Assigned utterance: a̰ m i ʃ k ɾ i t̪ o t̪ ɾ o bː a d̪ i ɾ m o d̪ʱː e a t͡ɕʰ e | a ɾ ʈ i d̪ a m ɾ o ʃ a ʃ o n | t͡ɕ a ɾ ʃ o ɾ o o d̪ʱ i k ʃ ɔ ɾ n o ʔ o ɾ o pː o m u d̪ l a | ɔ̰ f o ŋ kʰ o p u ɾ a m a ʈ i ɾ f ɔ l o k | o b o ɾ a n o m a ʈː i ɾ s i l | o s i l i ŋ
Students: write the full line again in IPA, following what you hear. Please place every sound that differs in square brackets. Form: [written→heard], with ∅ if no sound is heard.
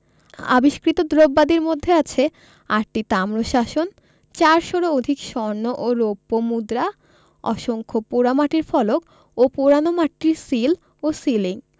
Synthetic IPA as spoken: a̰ [m→b] i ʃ k ɾ i t̪ o [t̪→d̪] ɾ o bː a d̪ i ɾ m o d̪ʱː e a t͡ɕʰ e | a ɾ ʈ i [d̪→t̪] a m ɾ o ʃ a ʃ o n | t͡ɕ a ɾ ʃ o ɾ o o d̪ʱ i k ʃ ɔ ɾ n o ʔ o ɾ o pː o m u d̪ [l→ɾ] a | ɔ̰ [f→ʃ] o ŋ kʰ o p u ɾ a m a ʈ i ɾ f ɔ l o k | o [b→p] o ɾ a n o m a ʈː i ɾ s i l | o s i l i ŋ